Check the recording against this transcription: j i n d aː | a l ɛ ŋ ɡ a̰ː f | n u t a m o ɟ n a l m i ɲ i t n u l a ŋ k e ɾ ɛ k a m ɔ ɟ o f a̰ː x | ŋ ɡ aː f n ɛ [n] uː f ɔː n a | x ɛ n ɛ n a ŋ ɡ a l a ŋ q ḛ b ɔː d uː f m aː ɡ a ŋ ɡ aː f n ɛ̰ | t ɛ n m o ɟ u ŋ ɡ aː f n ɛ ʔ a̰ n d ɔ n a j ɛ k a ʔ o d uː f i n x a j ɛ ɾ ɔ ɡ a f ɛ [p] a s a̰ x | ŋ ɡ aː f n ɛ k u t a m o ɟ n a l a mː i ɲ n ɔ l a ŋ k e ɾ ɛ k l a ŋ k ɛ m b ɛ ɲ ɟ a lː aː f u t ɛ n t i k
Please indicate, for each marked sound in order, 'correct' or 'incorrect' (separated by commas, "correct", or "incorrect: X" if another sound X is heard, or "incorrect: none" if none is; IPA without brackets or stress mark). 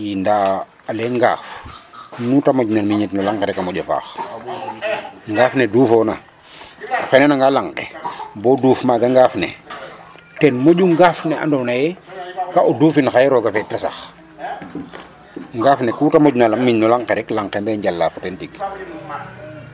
incorrect: d, incorrect: t